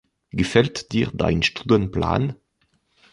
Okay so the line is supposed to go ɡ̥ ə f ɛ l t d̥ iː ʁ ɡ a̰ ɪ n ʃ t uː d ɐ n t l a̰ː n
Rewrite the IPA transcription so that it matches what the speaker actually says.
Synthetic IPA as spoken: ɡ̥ ə f ɛ l t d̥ iː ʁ d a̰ ɪ n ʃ t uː d ə n p l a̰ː n